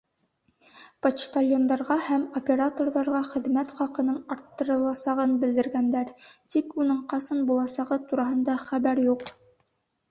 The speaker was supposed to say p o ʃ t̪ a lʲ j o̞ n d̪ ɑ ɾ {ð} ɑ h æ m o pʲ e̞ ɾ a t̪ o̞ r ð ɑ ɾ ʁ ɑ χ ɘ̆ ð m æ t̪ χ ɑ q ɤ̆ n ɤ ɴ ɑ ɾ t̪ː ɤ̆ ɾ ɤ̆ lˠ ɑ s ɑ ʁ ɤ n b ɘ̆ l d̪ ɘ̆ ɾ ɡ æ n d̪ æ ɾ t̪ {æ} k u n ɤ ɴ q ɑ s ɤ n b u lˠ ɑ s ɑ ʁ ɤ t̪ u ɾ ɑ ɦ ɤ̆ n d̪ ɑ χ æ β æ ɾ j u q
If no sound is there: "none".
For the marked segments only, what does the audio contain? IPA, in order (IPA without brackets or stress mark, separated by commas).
ʁ, i